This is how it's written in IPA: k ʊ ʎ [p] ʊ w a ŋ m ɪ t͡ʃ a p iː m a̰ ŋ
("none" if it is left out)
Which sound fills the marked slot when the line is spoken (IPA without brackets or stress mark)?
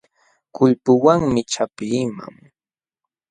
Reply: p